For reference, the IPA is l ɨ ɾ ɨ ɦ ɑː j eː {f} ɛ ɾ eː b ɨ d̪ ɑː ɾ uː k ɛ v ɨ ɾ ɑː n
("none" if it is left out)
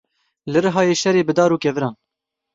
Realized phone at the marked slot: ʃ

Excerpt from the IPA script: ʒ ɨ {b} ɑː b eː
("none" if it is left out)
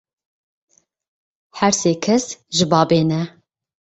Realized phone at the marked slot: b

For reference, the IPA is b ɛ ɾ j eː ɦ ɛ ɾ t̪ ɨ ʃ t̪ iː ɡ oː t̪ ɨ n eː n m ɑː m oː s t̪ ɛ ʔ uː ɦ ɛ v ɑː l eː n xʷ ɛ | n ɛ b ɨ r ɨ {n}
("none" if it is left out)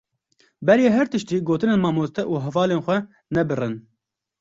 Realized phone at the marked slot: n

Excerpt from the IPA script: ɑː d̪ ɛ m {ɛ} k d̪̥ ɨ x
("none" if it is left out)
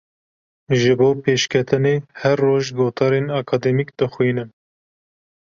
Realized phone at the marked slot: i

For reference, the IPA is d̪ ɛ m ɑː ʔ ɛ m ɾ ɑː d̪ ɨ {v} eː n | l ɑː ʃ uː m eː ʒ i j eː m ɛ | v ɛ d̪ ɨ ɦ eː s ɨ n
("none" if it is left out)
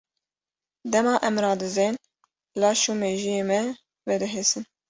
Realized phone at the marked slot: z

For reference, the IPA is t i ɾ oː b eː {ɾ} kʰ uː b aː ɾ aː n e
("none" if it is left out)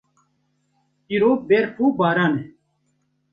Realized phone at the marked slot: ɾ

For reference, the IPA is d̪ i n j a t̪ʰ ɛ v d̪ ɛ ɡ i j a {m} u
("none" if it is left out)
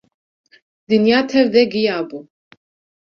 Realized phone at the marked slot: b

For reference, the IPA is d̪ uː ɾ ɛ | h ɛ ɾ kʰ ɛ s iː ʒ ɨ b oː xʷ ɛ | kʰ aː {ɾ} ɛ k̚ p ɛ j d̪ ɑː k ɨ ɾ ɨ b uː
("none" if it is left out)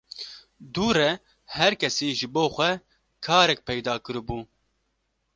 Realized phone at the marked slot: ɾ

